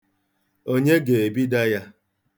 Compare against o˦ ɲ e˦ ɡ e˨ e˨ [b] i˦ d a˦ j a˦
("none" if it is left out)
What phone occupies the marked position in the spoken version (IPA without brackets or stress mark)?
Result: b